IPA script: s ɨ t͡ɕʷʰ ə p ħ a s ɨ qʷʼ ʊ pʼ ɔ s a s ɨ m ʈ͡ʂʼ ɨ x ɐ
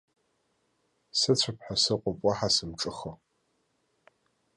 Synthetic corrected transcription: s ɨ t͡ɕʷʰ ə p ħ a s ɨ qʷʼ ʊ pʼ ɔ ħ a s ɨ m ʈ͡ʂʼ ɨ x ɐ

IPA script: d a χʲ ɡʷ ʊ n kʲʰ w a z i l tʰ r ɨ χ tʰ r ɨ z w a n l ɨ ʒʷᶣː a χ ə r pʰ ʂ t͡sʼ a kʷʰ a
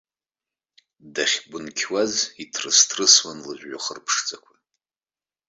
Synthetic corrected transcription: d a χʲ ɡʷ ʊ n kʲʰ w a z i tʰ r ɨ s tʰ r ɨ s w a n l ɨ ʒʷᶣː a χ ə r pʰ ʂ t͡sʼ a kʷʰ a

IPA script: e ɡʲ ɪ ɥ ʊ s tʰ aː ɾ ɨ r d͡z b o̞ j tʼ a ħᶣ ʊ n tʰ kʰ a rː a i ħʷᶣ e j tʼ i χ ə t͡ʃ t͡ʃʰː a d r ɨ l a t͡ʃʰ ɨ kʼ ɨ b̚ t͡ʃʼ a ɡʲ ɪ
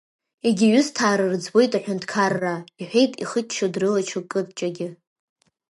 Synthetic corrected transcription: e ɡʲ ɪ ɥ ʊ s tʰ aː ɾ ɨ r d͡z b o̞ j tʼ a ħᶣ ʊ n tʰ kʰ a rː a i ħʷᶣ e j tʼ i χ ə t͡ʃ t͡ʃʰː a d r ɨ l a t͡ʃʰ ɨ kʼ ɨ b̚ t͡ʃʼ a ɡʲ ɪ

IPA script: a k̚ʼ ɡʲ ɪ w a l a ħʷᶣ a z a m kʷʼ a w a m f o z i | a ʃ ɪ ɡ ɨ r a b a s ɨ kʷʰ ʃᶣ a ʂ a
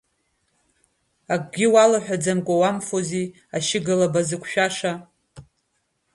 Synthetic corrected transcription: a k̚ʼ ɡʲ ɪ w a l a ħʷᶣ a d͡z a m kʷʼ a w a m f o z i | a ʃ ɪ ɡ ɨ l a b a z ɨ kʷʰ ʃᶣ a ʂ a

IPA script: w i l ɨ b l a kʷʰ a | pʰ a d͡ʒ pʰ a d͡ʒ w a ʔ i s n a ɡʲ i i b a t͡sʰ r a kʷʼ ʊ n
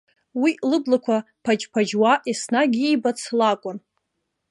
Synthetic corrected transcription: w i l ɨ b l a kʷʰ a | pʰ a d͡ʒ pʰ a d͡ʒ w a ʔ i s n a ɡʲ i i b a t͡sʰ l a kʷʼ ʊ n

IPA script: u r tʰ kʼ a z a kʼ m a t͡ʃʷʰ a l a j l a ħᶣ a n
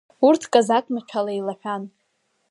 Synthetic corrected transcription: u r tʰ kʼ a z a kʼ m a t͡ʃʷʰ a l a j l a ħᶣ a n

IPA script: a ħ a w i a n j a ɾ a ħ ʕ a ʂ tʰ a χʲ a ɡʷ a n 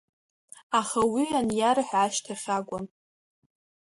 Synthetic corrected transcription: a χ a w i a n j a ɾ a ħ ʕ a ʃ tʰ a χʲ a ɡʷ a n

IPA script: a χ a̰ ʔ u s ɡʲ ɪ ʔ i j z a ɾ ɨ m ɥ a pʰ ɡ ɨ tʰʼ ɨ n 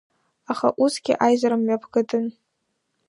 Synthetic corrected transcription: a χ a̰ ʔ u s ɡʲ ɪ ʔ a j z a ɾ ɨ m ɥ a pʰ ɡ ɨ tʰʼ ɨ n

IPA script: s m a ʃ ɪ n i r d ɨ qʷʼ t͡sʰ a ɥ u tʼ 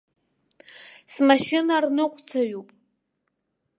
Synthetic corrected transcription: s m a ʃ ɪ n a r n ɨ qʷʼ t͡sʰ a ɥ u pʼ

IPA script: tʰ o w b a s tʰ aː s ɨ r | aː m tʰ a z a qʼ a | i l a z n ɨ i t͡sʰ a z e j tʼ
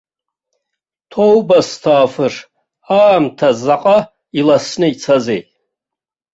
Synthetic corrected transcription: tʰ o w b a s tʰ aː f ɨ r | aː m tʰ a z a qʼ a | i l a s n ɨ i t͡sʰ a z e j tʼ

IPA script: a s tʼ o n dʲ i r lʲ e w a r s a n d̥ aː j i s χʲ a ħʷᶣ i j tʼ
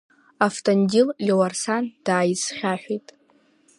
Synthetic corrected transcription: a f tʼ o n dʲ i l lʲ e w a r s a n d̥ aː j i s χʲ a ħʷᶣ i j tʼ

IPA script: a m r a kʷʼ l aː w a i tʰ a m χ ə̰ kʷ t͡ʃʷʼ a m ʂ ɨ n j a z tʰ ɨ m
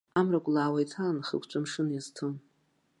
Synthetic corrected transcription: a m r a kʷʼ l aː w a j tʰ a n χ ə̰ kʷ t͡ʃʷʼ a m ʂ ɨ n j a z tʰ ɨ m

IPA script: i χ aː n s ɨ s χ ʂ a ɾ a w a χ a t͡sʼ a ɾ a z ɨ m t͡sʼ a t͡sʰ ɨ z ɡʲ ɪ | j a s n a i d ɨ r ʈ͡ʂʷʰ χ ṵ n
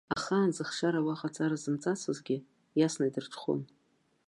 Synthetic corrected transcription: a χ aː n z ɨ χ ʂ a ɾ a w a χ a t͡sʼ a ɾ a z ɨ m t͡sʼ a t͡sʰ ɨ z ɡʲ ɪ | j a s n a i d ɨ r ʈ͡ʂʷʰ χ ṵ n

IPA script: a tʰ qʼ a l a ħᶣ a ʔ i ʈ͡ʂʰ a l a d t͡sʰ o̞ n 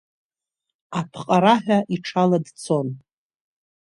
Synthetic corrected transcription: a pʰ qʼ a ɾ a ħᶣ a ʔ i ʈ͡ʂʰ a l a d t͡sʰ o̞ n

